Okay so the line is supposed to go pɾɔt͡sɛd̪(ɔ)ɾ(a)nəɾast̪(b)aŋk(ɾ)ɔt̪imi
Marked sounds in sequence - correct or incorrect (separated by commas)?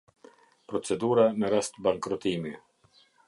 incorrect, correct, correct, correct